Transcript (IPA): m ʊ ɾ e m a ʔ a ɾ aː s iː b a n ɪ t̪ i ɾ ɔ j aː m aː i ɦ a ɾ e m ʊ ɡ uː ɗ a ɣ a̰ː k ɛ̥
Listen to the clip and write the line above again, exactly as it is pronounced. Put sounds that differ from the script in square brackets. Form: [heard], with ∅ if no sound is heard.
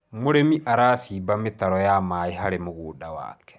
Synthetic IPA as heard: m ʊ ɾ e m [i] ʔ a ɾ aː s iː b a [m] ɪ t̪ [a] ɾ ɔ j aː m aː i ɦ a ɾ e m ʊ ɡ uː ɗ a [w] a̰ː k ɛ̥